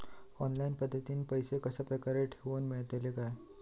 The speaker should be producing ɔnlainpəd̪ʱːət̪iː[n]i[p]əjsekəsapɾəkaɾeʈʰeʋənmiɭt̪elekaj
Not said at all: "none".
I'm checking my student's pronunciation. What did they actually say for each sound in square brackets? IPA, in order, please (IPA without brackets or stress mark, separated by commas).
n, p